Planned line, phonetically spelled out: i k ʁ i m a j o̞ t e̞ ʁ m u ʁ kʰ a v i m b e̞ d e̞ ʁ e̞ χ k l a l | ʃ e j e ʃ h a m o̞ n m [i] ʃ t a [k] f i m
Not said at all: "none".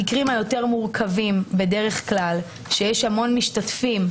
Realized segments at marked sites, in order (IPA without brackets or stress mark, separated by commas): i, t